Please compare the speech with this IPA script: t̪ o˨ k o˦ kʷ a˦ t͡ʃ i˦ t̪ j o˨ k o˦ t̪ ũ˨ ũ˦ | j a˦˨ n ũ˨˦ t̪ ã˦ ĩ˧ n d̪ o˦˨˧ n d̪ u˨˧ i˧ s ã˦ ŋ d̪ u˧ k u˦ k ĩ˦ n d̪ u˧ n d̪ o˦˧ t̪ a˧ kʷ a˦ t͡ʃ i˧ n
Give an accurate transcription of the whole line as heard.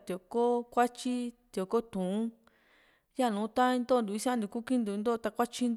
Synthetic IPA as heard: t̪ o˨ k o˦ kʷ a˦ t͡ʃ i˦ t̪ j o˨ k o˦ t̪ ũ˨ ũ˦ | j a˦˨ n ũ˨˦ t̪ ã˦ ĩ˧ n d̪ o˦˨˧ n d̪ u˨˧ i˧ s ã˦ n d̪ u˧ k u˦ k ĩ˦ n d̪ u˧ n d̪ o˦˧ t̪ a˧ kʷ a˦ t͡ʃ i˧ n